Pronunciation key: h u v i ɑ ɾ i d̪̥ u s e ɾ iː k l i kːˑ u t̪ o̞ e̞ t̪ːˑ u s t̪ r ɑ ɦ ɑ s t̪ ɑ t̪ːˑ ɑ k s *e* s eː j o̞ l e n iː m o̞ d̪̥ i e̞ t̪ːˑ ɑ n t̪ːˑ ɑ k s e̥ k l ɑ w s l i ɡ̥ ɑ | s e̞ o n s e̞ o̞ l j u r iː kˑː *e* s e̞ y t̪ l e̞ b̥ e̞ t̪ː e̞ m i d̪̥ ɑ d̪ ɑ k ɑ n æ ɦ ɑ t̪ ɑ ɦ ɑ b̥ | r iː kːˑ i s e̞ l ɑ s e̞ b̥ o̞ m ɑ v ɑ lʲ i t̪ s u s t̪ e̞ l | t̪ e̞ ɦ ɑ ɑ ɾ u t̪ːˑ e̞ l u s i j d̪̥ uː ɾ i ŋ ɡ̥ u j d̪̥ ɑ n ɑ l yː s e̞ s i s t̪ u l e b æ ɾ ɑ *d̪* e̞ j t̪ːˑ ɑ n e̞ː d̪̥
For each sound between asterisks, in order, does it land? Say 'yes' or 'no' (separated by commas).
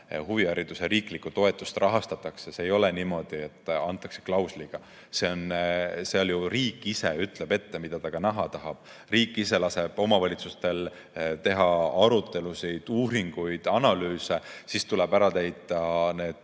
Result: yes, no, no